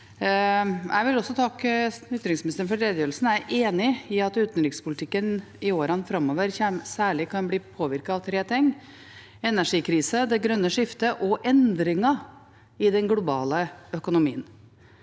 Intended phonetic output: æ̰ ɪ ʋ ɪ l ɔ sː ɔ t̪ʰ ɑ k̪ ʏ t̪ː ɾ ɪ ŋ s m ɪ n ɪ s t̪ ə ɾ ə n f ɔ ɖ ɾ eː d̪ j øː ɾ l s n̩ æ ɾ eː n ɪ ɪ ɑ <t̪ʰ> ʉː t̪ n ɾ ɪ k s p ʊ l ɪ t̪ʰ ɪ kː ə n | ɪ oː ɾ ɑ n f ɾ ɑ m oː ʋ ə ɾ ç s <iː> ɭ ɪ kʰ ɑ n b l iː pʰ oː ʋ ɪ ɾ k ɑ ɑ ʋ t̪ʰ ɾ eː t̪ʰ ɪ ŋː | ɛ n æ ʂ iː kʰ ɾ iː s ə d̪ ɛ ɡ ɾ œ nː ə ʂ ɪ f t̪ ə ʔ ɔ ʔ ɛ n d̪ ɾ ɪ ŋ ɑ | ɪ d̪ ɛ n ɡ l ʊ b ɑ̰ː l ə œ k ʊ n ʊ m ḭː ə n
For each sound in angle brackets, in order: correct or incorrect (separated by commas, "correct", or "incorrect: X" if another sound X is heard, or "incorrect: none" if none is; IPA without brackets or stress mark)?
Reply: incorrect: t̪, incorrect: æː